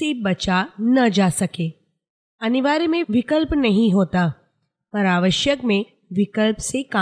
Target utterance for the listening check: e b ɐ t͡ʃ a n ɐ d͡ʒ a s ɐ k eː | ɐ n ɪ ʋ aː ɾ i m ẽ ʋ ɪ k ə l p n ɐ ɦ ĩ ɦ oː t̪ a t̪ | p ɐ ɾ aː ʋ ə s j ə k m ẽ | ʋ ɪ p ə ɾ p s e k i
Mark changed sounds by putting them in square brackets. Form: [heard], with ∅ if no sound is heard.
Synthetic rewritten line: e b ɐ t͡ʃ a n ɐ d͡ʒ a s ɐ k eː | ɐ n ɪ ʋ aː ɾ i m ẽ ʋ ɪ k ə l p n ɐ ɦ ĩ ɦ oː t̪ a [∅] | p ɐ ɾ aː ʋ ə [ʃ] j ə k m ẽ | ʋ ɪ [k] ə [l] p s e k [a]